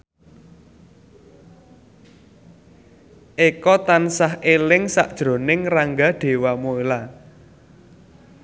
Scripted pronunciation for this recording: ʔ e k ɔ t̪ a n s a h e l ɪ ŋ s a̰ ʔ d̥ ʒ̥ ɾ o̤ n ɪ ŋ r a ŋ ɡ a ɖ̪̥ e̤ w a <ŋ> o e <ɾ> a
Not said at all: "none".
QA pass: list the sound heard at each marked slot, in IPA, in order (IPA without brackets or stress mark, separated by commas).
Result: m, l